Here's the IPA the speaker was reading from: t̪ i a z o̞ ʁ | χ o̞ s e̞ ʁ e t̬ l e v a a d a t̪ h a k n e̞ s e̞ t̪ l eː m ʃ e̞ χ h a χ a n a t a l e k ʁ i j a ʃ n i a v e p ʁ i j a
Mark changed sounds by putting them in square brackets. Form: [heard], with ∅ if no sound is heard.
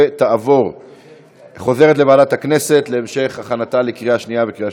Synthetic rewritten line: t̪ [a] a [v] o̞ ʁ | χ o̞ [z] e̞ ʁ e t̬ l e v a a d a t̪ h a k n e̞ s e̞ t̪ l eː m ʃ e̞ χ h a χ a n a t a l e k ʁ i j a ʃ n i a v e [k] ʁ i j a